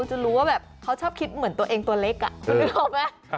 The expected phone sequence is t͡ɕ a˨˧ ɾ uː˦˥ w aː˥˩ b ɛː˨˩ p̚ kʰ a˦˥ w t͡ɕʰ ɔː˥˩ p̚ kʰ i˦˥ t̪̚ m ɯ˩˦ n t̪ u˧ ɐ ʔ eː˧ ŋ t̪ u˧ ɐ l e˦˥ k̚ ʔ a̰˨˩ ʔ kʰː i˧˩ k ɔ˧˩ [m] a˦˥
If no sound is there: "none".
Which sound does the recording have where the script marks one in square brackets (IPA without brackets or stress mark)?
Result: m